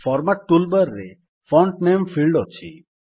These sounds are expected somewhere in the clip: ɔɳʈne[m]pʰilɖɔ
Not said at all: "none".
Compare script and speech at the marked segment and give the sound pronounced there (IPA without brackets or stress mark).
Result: m